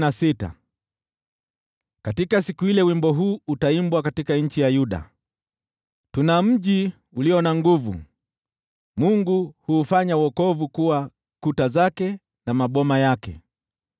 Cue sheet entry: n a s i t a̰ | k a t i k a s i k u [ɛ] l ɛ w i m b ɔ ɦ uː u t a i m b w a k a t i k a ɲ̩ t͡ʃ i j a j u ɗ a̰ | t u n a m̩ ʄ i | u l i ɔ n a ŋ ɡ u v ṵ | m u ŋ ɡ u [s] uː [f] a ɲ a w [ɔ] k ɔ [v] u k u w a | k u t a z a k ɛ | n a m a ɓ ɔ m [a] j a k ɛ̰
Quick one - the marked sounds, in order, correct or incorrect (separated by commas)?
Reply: incorrect, incorrect, correct, correct, correct, correct